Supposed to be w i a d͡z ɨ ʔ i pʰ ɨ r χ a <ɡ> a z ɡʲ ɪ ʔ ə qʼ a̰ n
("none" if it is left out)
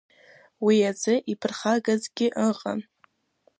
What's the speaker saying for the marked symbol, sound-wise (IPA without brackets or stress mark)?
ɡ